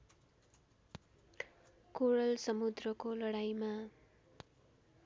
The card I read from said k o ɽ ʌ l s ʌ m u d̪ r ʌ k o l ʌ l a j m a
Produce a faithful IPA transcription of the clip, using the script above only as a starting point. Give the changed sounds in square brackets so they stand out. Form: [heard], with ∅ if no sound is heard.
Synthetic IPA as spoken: k o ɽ ʌ l s ʌ m u d̪ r ʌ k o l ʌ [ɽ] a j m a